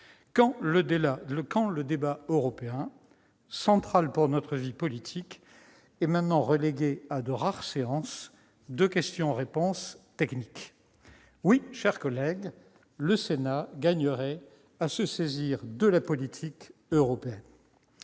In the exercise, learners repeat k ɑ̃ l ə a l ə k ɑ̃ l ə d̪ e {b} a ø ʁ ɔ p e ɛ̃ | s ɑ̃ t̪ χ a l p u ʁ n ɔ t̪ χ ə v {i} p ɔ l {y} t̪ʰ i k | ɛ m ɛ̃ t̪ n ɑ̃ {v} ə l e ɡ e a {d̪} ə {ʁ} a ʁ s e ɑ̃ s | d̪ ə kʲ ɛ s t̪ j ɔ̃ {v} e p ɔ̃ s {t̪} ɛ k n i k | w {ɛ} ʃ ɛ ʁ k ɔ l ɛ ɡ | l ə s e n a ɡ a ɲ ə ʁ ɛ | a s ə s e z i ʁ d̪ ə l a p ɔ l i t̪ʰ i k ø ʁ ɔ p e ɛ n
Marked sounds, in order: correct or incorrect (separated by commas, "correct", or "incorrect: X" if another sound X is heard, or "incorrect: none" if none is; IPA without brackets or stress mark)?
correct, correct, incorrect: i, incorrect: ʁ, correct, correct, incorrect: ʁ, correct, incorrect: i